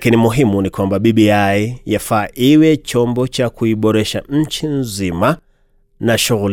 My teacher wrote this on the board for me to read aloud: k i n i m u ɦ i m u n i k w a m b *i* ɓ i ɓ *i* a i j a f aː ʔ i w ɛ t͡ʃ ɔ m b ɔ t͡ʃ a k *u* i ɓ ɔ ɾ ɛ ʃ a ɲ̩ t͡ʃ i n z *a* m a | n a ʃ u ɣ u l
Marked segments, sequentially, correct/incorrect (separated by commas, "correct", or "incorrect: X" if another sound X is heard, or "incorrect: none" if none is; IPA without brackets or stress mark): incorrect: a, correct, correct, incorrect: i